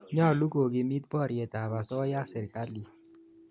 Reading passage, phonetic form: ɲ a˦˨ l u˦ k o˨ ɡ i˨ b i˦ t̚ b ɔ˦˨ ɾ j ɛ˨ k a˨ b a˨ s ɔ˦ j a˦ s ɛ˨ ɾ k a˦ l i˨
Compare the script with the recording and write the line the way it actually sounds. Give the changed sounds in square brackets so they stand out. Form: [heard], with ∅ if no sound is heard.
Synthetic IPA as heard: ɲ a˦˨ l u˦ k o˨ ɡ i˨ [m] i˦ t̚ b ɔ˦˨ ɾ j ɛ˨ [t] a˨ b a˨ s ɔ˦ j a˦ s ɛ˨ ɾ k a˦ l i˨